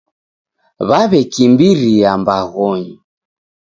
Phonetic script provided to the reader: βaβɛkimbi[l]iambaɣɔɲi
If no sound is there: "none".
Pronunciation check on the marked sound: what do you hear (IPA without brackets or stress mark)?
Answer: ɾ